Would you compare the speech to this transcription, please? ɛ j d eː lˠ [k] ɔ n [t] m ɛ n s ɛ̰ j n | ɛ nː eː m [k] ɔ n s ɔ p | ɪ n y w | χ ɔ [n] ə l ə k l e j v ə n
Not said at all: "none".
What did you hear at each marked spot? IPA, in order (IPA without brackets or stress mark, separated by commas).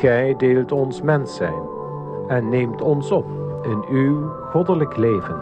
t, s, t, d